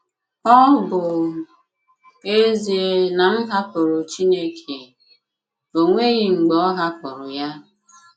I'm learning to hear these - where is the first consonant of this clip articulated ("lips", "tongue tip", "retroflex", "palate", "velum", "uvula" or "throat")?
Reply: lips